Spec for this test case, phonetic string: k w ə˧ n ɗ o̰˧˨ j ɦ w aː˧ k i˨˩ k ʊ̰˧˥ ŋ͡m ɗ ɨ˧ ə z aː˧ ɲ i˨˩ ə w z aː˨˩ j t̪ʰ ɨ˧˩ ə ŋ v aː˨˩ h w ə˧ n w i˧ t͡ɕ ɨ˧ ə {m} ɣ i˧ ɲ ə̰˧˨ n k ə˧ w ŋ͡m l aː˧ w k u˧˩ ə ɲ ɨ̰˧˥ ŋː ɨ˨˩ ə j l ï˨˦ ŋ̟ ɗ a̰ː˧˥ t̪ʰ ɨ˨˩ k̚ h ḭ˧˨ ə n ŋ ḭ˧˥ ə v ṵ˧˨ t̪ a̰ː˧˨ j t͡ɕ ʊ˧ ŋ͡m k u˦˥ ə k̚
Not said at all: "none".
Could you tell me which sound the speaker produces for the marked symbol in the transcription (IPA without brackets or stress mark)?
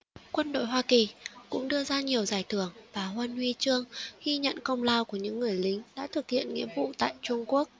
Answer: ŋ